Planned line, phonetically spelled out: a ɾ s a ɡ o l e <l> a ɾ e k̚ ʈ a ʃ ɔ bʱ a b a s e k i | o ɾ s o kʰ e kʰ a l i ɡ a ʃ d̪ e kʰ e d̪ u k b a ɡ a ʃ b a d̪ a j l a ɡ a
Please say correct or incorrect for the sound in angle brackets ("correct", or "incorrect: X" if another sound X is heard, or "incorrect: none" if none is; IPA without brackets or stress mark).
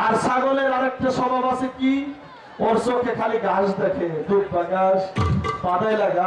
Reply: incorrect: ɾ